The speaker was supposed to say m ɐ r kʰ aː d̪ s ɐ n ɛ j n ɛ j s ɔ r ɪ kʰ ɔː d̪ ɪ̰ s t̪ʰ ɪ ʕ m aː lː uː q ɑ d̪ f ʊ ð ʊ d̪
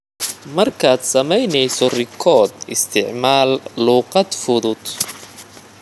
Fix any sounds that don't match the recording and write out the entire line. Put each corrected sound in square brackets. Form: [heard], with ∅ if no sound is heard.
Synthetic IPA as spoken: m ɐ r kʰ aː d̪ s ɐ [m] ɛ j n ɛ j s ɔ r ɪ kʰ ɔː d̪ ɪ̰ s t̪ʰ ɪ ʕ m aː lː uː q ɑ d̪ f ʊ ð ʊ d̪